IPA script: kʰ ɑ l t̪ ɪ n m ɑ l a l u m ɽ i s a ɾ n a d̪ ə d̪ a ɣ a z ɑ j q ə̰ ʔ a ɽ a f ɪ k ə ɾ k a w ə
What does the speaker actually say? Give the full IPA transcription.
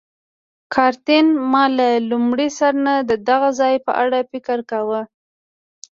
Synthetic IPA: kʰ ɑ ɾ t̪ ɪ n m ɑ l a l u m ɽ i s a ɾ n a d̪ ə d̪ a ɣ a z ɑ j p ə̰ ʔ a ɽ a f ɪ k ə ɾ k a w ə